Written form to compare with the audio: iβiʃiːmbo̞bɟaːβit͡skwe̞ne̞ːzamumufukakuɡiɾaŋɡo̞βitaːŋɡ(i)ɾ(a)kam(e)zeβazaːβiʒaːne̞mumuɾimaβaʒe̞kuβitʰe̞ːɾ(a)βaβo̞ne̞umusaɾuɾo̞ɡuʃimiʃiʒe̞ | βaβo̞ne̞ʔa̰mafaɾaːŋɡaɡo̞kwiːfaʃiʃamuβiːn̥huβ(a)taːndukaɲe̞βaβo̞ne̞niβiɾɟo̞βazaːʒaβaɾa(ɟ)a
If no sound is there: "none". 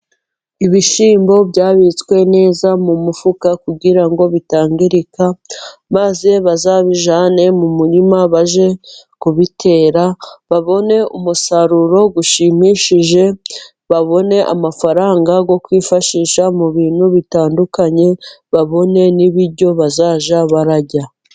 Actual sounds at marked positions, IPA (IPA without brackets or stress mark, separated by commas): i, i, a, a, i, ɟ